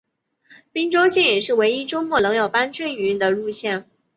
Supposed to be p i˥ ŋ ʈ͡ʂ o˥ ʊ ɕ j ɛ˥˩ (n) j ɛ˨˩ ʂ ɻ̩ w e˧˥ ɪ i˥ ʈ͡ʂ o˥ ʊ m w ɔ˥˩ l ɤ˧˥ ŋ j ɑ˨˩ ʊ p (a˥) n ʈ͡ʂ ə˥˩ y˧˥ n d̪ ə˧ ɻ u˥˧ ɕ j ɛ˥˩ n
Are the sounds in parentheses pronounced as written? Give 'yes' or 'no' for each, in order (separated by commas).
yes, yes